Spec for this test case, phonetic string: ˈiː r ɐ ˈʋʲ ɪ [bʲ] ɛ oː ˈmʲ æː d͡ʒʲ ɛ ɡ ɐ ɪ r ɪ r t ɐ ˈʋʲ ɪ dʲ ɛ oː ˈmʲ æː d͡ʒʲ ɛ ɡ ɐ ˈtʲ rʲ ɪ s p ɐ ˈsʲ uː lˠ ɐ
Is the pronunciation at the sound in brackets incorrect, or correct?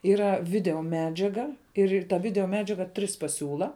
incorrect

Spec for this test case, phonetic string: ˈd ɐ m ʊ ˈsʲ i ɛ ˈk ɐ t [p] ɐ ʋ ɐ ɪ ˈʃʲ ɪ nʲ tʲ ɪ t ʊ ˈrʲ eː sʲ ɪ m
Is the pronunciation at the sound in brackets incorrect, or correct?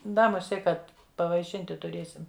correct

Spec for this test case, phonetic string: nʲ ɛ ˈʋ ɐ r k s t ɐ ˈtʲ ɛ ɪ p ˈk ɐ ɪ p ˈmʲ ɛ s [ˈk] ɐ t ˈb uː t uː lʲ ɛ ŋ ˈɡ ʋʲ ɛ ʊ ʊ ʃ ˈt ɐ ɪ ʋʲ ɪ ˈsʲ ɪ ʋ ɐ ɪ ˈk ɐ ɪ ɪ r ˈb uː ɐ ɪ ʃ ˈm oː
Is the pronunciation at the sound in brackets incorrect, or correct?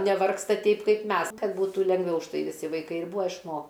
correct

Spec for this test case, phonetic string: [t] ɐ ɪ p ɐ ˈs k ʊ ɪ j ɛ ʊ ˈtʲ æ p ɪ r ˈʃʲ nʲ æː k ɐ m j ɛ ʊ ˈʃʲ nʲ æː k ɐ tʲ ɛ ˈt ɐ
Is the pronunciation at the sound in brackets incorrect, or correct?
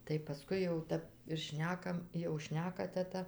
correct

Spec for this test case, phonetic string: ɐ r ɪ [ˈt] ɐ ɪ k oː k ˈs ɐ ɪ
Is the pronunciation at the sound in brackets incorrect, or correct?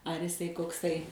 incorrect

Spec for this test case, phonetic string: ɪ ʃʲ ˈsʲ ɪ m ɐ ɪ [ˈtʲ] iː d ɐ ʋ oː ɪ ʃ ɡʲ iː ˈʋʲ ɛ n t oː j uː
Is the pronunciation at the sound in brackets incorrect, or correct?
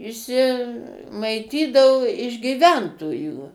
correct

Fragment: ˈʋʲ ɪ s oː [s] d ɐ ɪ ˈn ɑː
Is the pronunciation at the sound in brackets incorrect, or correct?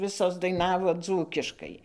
correct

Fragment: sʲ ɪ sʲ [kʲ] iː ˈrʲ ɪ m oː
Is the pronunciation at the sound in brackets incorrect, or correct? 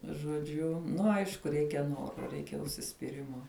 incorrect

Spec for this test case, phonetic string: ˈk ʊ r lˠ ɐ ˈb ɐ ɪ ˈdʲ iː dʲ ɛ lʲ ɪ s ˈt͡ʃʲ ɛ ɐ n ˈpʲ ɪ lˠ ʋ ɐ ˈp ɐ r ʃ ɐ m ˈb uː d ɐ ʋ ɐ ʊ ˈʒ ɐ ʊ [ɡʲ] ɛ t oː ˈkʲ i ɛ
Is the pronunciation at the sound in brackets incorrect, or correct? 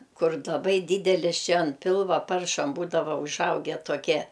correct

